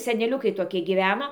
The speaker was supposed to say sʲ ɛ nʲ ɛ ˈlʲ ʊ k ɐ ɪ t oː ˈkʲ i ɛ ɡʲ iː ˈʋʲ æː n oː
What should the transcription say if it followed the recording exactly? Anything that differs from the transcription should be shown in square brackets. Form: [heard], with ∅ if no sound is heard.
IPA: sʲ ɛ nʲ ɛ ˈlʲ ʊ k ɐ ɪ t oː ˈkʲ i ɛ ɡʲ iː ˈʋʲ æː n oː